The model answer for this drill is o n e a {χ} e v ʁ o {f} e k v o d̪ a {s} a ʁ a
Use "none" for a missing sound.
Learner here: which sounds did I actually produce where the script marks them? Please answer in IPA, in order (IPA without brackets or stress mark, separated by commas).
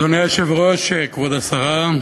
ʃ, ʃ, s